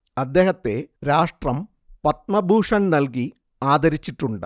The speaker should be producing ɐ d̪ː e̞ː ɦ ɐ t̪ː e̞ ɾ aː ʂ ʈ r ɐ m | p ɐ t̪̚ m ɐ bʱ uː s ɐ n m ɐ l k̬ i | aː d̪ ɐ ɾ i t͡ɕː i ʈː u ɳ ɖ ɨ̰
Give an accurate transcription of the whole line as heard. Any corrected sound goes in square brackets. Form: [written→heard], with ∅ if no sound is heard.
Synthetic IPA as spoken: ɐ d̪ː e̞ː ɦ ɐ t̪ː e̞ ɾ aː ʂ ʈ r ɐ m | p ɐ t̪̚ m ɐ bʱ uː [s→ʂ] ɐ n [m→n] ɐ l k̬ i | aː d̪ ɐ ɾ i t͡ɕː i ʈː u ɳ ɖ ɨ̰